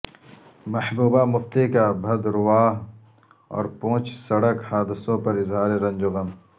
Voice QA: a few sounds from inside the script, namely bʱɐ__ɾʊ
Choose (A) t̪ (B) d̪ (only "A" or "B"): B